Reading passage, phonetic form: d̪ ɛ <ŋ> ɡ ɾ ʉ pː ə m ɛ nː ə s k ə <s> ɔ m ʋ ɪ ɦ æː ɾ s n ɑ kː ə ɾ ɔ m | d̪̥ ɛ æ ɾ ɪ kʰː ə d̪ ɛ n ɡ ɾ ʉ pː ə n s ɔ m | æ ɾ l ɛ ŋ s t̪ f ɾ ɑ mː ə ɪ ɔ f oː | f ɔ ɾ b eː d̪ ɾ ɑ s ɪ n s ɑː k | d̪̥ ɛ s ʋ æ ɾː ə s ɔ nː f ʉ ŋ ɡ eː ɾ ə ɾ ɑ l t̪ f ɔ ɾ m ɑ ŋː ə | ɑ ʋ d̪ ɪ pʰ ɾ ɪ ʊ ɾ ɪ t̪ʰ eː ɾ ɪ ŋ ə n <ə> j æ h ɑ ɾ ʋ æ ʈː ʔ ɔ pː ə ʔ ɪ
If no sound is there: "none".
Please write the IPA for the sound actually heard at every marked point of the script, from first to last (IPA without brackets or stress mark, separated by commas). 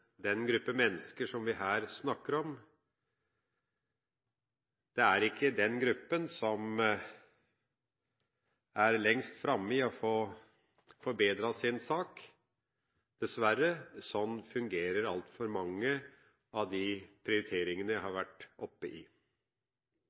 n, ʂ, ə